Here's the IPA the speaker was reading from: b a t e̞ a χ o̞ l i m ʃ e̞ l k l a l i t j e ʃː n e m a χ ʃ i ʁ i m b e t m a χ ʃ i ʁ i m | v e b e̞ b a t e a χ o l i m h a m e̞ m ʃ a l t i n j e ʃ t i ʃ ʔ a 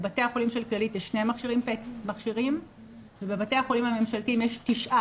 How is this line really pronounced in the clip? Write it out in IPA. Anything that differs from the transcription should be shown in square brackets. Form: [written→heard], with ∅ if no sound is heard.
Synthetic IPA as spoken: b a t e̞ a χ o̞ l i m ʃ e̞ l k l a l i t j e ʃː n e m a χ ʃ i ʁ i m [b→p] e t m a χ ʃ i ʁ i m | v e b e̞ b a t e a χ o l i m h a m e̞ m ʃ a l t i [n→m] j e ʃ t i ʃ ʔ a